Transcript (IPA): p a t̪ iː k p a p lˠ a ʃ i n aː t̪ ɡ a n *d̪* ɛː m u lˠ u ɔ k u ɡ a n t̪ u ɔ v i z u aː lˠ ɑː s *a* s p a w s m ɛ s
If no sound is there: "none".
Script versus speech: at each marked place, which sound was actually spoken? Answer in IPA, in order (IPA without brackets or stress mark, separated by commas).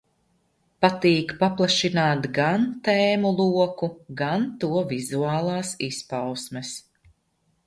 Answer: t̪, i